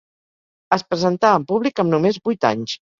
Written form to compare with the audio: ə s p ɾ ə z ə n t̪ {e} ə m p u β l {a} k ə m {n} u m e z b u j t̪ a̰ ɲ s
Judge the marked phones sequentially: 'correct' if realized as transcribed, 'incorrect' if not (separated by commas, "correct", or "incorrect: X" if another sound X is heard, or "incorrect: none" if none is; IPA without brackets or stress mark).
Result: incorrect: a, incorrect: i, correct